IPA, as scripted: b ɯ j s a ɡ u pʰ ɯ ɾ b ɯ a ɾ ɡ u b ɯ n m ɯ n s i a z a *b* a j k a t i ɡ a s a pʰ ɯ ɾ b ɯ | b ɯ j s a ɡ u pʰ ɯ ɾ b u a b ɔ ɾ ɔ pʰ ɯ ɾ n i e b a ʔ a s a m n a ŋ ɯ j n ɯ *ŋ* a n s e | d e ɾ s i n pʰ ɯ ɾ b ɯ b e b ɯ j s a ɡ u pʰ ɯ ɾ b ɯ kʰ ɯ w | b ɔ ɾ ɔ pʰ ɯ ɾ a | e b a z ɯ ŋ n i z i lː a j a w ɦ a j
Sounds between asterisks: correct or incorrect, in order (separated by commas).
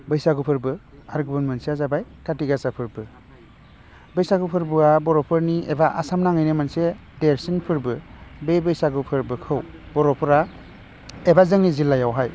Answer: correct, incorrect